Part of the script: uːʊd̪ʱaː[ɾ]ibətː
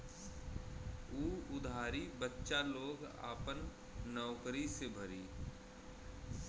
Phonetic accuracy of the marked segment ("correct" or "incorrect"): correct